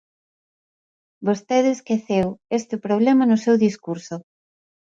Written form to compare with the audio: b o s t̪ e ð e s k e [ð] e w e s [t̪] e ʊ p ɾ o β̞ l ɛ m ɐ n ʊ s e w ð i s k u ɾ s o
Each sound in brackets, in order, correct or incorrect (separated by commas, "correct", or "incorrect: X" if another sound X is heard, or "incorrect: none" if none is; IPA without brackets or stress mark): incorrect: θ, correct